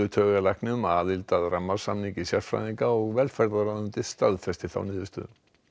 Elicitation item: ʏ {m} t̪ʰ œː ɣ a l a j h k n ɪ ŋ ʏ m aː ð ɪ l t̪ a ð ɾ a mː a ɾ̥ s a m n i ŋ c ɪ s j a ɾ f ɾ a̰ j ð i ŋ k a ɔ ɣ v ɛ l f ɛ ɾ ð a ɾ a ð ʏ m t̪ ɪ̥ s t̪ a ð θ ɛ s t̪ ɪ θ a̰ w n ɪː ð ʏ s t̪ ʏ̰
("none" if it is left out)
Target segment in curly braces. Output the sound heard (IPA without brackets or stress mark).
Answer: none